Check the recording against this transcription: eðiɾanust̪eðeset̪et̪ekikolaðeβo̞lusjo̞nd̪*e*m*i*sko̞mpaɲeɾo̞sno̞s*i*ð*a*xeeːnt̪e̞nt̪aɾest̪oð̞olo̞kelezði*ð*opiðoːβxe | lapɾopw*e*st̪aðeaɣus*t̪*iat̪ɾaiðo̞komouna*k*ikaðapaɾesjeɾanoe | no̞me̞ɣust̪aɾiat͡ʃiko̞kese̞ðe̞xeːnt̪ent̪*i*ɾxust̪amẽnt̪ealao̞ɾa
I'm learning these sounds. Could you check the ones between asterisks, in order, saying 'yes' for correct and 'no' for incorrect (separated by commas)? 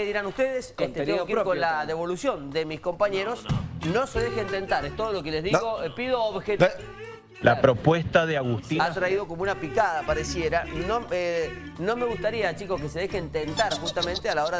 yes, yes, no, no, no, yes, yes, no, no